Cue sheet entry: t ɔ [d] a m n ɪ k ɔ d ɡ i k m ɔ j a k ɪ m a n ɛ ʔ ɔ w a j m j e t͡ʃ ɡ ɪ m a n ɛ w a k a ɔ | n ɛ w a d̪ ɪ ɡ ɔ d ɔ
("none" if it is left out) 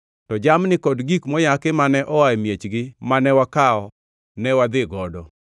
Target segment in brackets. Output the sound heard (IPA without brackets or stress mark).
d͡ʒ